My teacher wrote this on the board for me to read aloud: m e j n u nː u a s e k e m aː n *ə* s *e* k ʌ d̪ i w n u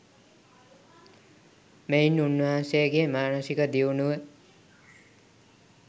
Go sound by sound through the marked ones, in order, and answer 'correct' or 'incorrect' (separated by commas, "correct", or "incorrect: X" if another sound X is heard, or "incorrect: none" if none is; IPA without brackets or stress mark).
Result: incorrect: ʌ, incorrect: i